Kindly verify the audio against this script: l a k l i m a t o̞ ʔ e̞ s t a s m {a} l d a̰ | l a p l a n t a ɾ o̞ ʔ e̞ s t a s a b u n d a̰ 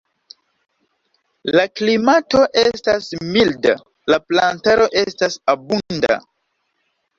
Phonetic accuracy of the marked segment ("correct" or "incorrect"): incorrect